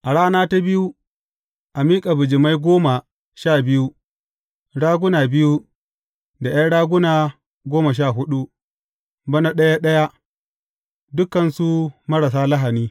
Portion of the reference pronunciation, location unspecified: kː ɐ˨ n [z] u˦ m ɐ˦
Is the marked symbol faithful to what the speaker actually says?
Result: no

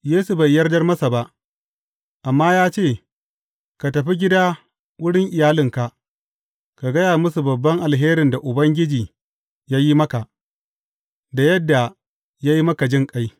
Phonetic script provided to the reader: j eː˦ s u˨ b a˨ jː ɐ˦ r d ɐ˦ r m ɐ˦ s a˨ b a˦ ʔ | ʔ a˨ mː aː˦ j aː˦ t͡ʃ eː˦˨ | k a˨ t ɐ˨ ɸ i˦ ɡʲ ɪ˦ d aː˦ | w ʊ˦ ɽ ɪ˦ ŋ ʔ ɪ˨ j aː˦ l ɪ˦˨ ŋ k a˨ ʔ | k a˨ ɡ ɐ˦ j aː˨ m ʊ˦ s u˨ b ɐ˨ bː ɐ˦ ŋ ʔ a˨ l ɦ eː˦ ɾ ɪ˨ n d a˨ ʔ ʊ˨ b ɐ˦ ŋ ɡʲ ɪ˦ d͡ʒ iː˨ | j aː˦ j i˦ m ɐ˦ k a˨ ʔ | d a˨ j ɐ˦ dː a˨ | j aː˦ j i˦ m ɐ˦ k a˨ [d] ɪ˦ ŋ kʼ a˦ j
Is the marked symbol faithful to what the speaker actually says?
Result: no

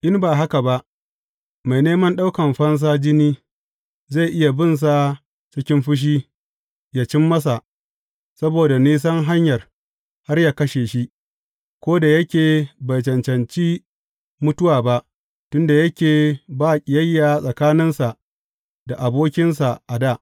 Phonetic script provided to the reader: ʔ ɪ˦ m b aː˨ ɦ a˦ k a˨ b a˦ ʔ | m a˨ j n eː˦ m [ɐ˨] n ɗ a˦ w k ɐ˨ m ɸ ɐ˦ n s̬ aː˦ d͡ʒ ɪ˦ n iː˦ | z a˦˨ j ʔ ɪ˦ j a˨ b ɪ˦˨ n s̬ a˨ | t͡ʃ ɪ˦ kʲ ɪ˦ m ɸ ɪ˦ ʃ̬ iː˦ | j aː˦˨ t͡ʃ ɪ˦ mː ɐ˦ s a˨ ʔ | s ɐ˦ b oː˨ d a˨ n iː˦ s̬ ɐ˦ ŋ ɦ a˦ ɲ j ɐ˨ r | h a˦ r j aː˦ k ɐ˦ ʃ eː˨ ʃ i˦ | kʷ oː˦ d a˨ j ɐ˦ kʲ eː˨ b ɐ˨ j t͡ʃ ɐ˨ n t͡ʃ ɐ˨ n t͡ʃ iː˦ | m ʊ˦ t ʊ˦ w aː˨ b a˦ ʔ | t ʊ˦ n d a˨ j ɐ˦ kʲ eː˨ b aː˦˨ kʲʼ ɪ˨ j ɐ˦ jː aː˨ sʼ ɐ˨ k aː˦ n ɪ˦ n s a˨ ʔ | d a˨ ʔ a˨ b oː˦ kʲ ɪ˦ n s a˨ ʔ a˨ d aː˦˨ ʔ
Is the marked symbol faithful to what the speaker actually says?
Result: no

